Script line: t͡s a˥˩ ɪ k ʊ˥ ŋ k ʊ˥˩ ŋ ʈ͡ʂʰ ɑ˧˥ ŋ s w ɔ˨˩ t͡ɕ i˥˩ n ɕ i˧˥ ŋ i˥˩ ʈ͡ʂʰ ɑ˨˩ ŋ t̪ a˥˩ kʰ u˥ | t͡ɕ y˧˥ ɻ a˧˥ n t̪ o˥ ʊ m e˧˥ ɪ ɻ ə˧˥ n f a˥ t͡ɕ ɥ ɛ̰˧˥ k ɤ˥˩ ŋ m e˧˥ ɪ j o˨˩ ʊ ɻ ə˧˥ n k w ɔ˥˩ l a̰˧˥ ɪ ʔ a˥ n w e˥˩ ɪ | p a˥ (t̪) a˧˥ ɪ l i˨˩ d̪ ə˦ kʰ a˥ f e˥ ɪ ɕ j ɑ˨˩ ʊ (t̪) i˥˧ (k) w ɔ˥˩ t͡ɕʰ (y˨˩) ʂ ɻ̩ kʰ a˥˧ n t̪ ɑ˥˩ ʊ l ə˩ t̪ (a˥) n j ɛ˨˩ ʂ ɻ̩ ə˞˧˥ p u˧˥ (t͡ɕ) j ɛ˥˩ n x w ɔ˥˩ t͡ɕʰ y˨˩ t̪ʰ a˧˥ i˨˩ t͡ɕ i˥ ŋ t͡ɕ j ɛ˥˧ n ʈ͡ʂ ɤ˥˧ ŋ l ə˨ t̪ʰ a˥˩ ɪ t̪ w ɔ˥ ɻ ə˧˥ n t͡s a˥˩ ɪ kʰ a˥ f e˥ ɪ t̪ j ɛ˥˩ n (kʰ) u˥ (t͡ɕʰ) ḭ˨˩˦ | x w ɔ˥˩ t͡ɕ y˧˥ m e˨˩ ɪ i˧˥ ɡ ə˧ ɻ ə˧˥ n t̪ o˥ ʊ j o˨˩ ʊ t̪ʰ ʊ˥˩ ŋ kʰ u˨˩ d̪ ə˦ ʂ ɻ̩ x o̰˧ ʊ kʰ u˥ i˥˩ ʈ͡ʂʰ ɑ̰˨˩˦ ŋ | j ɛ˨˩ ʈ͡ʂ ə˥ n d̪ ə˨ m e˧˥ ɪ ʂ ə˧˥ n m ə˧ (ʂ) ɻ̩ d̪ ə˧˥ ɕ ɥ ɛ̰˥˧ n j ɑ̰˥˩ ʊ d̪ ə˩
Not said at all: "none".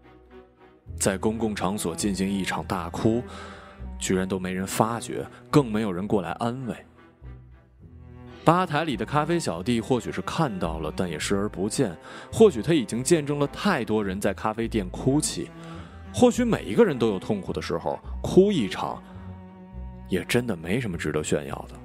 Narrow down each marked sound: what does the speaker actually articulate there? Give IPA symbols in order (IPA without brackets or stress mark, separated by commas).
t̪ʰ, t̪, x, y˨˩, a˥˩, t͡ɕ, kʰ, t͡ɕʰ, ʈ͡ʂ